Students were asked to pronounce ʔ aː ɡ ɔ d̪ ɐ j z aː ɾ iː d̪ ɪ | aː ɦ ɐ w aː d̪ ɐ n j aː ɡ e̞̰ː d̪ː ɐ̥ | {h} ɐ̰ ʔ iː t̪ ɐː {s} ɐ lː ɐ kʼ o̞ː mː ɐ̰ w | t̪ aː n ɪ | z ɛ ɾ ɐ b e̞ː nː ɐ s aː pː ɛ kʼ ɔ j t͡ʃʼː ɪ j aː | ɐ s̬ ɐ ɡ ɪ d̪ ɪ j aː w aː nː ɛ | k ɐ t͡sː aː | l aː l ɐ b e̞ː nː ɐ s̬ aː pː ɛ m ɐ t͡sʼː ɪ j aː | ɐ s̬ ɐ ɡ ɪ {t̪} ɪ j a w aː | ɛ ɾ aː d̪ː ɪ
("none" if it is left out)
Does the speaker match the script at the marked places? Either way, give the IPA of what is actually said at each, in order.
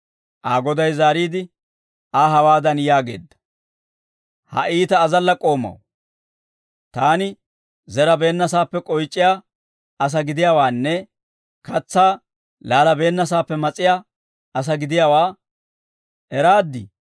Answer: h, z, d̪

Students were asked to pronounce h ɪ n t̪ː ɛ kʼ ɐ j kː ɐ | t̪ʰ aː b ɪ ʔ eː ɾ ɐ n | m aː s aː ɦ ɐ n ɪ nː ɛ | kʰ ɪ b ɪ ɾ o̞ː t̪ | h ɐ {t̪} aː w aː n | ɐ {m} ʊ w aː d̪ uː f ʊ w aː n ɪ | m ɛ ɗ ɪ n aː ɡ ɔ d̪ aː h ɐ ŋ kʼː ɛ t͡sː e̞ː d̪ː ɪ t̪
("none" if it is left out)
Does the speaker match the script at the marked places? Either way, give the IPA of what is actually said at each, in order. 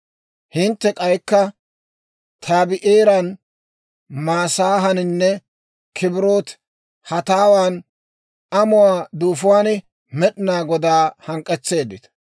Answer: t̪, m

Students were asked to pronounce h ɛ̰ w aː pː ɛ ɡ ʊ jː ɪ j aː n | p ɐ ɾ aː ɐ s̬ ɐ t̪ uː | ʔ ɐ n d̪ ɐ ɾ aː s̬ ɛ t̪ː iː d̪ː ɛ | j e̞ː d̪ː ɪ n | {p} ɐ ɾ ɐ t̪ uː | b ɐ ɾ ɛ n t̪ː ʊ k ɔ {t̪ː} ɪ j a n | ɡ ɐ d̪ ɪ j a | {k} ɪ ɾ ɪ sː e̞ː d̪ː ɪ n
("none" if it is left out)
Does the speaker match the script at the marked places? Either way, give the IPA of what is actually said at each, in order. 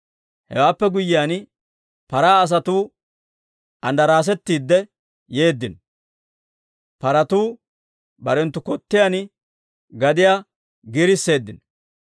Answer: p, t̪ː, ɡ

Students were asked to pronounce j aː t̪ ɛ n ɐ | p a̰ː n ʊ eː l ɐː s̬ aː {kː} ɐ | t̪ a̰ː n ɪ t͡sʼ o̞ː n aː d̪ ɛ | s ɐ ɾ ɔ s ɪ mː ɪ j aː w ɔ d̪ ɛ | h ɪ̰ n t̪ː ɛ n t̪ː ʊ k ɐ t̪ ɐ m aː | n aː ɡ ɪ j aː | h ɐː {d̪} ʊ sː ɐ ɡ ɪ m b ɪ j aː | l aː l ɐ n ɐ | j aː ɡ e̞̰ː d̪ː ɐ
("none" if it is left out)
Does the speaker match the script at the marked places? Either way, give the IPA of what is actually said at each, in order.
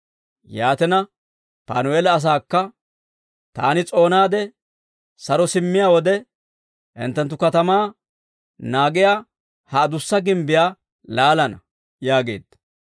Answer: kː, d̪

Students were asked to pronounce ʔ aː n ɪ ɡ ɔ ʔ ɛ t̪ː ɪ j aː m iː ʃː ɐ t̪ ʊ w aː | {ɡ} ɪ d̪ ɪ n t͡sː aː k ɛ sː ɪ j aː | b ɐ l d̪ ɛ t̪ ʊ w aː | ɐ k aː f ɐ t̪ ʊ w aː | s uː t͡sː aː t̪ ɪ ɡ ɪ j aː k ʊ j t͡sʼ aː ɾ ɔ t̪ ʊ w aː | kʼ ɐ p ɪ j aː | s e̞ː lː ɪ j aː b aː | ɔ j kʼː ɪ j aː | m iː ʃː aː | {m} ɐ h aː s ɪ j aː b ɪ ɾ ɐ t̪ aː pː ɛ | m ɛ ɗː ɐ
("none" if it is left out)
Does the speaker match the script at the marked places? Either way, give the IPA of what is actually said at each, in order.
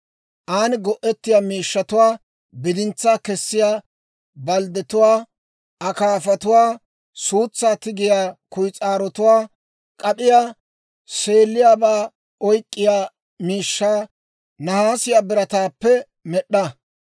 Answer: b, n

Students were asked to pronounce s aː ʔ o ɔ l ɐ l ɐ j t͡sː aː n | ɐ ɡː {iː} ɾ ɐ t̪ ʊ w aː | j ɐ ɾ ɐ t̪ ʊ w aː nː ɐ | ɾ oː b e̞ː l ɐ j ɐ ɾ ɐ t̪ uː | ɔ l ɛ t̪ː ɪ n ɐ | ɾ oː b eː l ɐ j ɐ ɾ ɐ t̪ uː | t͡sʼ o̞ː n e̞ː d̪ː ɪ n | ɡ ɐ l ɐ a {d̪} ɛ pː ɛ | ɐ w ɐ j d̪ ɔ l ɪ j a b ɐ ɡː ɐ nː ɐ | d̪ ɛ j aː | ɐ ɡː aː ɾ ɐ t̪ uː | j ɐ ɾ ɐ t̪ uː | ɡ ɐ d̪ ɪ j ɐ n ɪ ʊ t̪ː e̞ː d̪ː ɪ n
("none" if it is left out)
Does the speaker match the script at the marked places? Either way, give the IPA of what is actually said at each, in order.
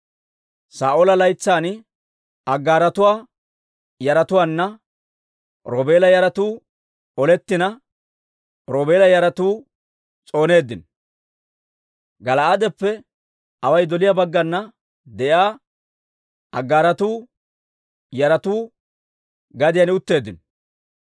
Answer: aː, d̪

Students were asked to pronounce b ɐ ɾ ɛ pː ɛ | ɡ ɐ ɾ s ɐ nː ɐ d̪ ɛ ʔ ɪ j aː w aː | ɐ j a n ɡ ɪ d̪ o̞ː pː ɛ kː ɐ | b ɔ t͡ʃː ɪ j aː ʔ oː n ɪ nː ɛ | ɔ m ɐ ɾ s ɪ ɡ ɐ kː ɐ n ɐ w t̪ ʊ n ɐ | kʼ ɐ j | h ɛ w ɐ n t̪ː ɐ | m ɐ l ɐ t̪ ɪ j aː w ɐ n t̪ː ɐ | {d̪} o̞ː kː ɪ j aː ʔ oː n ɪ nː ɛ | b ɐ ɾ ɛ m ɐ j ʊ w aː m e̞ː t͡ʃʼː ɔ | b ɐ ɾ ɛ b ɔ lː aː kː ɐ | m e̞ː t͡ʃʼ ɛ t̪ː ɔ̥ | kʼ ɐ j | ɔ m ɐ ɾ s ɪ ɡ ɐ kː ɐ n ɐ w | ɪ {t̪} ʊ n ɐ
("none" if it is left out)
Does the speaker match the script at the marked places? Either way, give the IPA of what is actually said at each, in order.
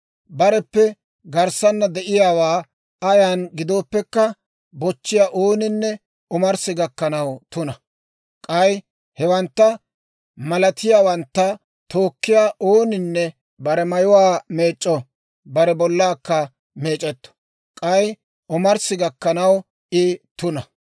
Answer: t̪, t̪

